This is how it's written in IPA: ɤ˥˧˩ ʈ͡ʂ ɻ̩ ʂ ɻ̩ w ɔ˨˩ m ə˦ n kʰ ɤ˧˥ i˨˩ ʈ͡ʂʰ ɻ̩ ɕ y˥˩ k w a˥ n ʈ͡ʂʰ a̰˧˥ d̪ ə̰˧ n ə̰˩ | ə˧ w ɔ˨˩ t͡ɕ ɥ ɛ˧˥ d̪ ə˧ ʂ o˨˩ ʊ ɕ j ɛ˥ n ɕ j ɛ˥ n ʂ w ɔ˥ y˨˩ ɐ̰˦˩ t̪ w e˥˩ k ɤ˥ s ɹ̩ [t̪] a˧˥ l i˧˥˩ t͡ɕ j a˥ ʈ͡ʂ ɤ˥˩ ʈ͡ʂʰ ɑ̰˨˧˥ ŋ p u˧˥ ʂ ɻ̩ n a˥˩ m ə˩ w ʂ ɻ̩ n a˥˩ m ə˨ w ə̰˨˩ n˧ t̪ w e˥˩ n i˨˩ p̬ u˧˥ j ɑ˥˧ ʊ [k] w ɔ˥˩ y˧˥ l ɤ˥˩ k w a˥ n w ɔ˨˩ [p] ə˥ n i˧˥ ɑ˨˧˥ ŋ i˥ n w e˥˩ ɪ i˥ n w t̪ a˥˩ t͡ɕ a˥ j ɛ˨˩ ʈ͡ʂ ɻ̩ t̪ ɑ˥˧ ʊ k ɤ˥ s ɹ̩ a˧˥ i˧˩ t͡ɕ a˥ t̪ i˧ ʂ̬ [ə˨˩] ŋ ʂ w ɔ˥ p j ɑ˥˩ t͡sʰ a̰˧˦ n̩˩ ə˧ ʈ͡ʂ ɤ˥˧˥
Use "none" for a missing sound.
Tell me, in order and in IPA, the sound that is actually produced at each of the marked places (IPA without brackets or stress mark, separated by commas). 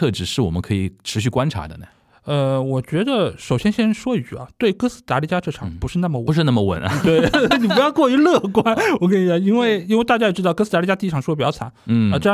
t̪, k, k, ɑ˨˩